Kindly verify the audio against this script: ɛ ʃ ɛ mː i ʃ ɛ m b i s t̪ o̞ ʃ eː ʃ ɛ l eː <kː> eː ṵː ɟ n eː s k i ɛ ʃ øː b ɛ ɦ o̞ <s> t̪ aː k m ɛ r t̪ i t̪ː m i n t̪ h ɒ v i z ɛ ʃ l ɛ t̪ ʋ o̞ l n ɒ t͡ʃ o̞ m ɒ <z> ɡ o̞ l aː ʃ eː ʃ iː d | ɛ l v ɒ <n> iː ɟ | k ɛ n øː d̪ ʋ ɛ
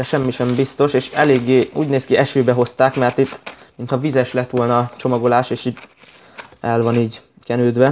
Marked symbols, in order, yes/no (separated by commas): no, yes, no, yes